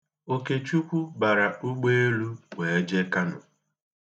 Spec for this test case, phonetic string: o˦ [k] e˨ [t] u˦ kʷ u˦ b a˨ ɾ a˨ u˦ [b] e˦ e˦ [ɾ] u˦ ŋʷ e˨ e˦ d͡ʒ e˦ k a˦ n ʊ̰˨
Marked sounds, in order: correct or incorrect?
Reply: correct, incorrect: t͡ʃ, incorrect: ɡ͡b, incorrect: l

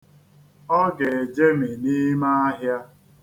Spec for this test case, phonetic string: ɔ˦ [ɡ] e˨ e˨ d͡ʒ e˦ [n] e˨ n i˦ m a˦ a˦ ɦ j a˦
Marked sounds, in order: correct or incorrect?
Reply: correct, incorrect: m

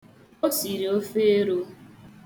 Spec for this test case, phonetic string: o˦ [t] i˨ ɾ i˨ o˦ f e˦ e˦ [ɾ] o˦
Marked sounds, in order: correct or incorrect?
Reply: incorrect: s, correct

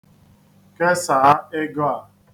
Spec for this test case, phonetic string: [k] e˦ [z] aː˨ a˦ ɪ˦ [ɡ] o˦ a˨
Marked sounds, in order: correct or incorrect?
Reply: correct, incorrect: s, correct

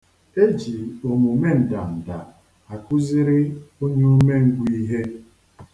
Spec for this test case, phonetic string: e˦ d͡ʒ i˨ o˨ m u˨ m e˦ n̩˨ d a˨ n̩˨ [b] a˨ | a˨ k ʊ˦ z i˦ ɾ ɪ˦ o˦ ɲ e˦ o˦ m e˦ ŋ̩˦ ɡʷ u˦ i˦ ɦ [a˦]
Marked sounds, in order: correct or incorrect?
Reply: incorrect: d, incorrect: e˦

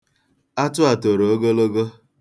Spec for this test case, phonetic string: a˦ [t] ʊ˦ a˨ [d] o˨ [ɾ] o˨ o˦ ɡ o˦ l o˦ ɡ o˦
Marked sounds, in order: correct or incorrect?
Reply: correct, incorrect: t, correct

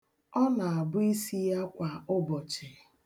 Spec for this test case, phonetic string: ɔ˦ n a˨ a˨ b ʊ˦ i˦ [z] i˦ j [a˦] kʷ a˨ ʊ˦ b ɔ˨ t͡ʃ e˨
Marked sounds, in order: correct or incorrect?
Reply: incorrect: s, correct

